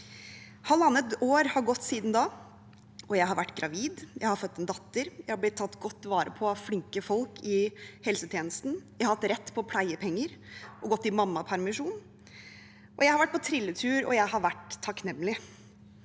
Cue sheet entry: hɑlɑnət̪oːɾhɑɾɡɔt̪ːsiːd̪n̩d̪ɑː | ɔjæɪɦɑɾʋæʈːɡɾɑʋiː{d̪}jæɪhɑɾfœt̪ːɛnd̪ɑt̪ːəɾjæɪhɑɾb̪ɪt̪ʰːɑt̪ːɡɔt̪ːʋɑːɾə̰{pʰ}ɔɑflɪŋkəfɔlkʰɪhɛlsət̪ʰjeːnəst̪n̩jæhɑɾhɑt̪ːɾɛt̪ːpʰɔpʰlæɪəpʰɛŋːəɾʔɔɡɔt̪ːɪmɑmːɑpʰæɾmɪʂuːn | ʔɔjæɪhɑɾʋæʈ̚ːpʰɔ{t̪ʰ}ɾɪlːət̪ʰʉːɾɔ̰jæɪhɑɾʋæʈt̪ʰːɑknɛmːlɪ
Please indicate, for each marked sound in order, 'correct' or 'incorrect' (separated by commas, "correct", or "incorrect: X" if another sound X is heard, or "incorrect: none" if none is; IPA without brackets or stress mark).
correct, correct, correct